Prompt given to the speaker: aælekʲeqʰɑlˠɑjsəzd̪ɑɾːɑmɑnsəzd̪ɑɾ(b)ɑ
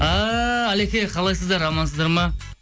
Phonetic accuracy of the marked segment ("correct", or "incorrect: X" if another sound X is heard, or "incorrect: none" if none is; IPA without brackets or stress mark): incorrect: m